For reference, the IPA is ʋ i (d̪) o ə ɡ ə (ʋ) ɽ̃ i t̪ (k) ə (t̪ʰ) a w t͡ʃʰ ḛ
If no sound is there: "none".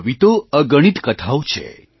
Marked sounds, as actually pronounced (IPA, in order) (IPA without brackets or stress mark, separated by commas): t̪, none, k, t̪ʰ